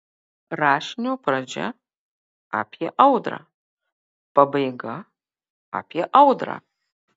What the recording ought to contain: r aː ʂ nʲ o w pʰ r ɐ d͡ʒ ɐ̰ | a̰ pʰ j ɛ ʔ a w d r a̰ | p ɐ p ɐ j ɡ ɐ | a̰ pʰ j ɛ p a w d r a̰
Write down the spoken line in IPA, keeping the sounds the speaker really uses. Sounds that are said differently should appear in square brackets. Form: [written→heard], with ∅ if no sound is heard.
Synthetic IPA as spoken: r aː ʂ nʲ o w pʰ r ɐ d͡ʒ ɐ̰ | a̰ pʰ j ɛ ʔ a w d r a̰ | p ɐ [p→b] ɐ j ɡ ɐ | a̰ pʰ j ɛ [p→ʔ] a w d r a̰

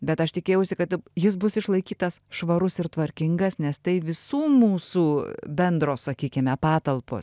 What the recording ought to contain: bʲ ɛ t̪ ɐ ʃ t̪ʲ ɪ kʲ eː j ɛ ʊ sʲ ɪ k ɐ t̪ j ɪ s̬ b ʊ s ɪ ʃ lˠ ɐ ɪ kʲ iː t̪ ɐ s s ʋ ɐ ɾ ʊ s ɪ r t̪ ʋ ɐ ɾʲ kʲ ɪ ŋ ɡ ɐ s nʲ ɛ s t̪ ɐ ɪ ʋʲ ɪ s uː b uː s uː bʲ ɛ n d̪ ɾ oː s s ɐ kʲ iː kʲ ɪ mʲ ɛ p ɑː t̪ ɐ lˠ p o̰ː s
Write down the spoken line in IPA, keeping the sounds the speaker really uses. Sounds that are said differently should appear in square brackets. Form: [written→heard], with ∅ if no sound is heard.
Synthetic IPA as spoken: bʲ ɛ t̪ ɐ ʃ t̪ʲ ɪ kʲ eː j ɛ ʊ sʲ ɪ k ɐ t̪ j ɪ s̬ b ʊ s ɪ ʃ lˠ ɐ ɪ kʲ iː t̪ ɐ s [s→ʃ] ʋ ɐ ɾ ʊ s ɪ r t̪ ʋ ɐ ɾʲ kʲ ɪ ŋ ɡ ɐ s nʲ ɛ s t̪ ɐ ɪ ʋʲ ɪ s uː [b→m] uː s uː bʲ ɛ n d̪ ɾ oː s s ɐ kʲ iː kʲ ɪ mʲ ɛ p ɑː t̪ ɐ lˠ p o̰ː s

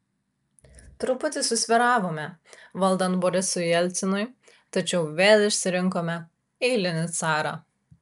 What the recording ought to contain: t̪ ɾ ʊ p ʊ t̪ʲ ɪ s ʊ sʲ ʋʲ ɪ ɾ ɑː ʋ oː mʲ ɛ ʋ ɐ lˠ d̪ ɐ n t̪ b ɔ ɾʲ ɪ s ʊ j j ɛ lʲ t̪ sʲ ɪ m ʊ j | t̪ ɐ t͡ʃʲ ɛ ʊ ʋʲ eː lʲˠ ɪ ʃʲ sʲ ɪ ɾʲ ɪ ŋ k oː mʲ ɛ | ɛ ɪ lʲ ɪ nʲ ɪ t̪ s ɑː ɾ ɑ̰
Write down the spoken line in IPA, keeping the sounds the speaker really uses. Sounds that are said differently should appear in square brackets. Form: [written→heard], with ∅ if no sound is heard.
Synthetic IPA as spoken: t̪ ɾ ʊ p ʊ t̪ʲ ɪ s ʊ sʲ ʋʲ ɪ ɾ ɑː ʋ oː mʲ ɛ ʋ ɐ lˠ d̪ ɐ n t̪ b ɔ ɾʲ ɪ s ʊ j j ɛ lʲ t̪ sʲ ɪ [m→n] ʊ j | t̪ ɐ t͡ʃʲ ɛ ʊ ʋʲ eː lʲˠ ɪ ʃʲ sʲ ɪ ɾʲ ɪ ŋ k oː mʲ ɛ | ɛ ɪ lʲ ɪ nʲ ɪ t̪ s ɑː ɾ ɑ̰

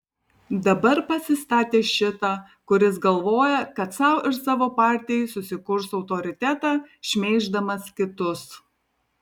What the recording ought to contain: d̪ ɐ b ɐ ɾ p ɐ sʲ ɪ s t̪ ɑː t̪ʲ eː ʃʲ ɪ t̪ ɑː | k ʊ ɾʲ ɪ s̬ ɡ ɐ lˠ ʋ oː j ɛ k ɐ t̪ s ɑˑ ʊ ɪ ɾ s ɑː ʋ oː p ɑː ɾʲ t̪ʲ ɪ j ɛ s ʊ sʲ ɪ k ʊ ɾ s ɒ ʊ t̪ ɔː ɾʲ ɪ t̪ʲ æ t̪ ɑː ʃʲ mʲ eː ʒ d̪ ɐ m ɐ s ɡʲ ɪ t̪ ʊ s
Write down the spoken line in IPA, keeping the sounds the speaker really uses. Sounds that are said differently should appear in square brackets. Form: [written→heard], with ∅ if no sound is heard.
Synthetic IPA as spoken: d̪ ɐ b ɐ ɾ p ɐ sʲ ɪ s t̪ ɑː t̪ʲ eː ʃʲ ɪ t̪ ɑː | k ʊ ɾʲ ɪ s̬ ɡ ɐ lˠ ʋ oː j ɛ k ɐ t̪ s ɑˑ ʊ ɪ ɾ s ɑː ʋ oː p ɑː ɾʲ t̪ʲ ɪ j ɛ s ʊ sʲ ɪ k ʊ ɾ s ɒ ʊ t̪ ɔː ɾʲ ɪ t̪ʲ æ t̪ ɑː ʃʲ mʲ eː ʒ d̪ ɐ m ɐ s [ɡʲ→kʲ] ɪ t̪ ʊ s

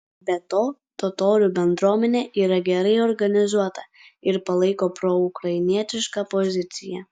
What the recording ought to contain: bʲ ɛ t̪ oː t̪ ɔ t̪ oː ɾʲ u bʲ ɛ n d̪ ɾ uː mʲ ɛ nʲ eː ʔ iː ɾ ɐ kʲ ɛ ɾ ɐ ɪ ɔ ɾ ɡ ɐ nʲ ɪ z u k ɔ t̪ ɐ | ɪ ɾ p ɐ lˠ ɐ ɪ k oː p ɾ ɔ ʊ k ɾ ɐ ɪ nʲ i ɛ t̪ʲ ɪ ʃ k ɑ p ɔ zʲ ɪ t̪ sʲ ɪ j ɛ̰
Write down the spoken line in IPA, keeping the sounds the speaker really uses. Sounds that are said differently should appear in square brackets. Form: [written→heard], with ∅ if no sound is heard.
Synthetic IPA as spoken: bʲ ɛ t̪ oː t̪ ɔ t̪ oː ɾʲ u bʲ ɛ n d̪ ɾ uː mʲ ɛ nʲ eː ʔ iː ɾ ɐ [kʲ→ɡʲ] ɛ ɾ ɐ ɪ ɔ ɾ ɡ ɐ nʲ ɪ z u [k→∅] ɔ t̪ ɐ | ɪ ɾ p ɐ lˠ ɐ ɪ k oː p ɾ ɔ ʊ k ɾ ɐ ɪ nʲ i ɛ t̪ʲ ɪ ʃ k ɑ p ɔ zʲ ɪ t̪ sʲ ɪ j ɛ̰

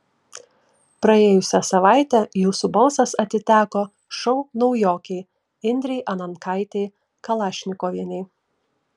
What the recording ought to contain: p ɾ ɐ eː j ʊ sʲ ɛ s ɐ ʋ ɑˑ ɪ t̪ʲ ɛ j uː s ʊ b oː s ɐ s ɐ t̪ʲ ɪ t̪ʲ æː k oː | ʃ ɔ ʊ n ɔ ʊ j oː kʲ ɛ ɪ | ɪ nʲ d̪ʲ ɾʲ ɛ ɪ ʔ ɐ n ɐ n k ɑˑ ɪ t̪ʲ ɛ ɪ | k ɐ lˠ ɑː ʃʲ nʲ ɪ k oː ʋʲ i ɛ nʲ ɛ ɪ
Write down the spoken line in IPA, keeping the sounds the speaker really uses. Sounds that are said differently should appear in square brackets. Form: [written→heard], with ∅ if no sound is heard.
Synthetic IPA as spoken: p ɾ ɐ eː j ʊ sʲ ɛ s ɐ ʋ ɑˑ ɪ t̪ʲ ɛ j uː s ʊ b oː s ɐ s ɐ t̪ʲ ɪ t̪ʲ æː k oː | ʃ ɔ ʊ n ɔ ʊ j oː kʲ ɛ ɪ | ɪ nʲ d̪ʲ ɾʲ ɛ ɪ ʔ ɐ n ɐ n k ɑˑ ɪ t̪ʲ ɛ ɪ | k ɐ lˠ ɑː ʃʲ nʲ ɪ k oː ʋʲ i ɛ nʲ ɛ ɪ

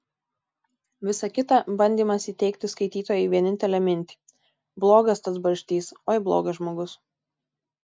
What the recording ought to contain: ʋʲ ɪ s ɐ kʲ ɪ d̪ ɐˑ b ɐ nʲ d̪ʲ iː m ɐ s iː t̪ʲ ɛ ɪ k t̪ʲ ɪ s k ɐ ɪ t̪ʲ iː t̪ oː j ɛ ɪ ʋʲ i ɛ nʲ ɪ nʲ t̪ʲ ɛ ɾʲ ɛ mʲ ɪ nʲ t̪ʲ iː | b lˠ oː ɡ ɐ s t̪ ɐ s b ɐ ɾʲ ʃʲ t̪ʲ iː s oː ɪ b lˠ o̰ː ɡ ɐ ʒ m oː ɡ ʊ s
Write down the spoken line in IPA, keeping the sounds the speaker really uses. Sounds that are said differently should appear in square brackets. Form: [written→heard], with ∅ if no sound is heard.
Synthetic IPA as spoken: ʋʲ ɪ s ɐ kʲ ɪ [d̪→t̪] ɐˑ b ɐ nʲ d̪ʲ iː m ɐ s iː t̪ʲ ɛ ɪ k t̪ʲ ɪ s k ɐ ɪ t̪ʲ iː t̪ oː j ɛ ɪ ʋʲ i ɛ nʲ ɪ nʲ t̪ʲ ɛ [ɾʲ→lʲ] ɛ mʲ ɪ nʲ t̪ʲ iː | b lˠ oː ɡ ɐ s t̪ ɐ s b ɐ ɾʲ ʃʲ t̪ʲ iː s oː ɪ b lˠ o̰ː ɡ ɐ ʒ m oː ɡ ʊ s

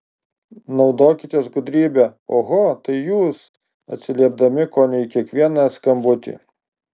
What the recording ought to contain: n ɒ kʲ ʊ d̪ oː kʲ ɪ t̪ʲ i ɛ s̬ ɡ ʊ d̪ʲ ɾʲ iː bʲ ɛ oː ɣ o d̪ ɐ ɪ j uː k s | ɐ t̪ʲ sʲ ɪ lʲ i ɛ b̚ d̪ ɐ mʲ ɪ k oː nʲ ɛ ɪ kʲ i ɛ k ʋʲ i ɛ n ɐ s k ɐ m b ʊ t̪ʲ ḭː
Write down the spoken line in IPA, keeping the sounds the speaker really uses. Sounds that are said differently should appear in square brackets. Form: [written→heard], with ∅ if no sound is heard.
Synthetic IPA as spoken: n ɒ [kʲ→∅] ʊ d̪ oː kʲ ɪ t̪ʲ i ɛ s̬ ɡ ʊ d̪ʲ ɾʲ iː bʲ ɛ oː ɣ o [d̪→t̪] ɐ ɪ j uː [k→∅] s | ɐ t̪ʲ sʲ ɪ lʲ i ɛ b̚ d̪ ɐ mʲ ɪ k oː nʲ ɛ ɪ kʲ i ɛ k ʋʲ i ɛ n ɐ s k ɐ m b ʊ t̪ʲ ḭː

